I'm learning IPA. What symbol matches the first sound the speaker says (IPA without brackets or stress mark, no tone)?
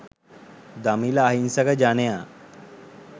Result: d̪